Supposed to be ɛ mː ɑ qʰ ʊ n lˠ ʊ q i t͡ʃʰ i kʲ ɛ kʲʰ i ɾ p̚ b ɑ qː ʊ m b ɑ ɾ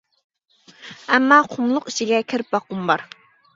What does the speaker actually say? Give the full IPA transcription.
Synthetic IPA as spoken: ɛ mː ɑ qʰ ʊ m lˠ ʊ q i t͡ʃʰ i ɡʲ ɛ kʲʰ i ɾ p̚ b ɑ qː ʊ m b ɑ ɾ